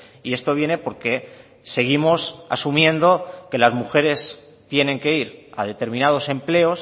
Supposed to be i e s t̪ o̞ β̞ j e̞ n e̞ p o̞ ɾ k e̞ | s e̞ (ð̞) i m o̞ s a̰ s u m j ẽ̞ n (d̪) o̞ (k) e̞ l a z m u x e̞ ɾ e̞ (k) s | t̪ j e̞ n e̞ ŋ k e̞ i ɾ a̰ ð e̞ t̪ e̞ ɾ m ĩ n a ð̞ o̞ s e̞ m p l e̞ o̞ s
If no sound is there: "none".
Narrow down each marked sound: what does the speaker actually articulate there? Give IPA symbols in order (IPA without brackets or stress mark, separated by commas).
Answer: ɣ̞, d̪, k, none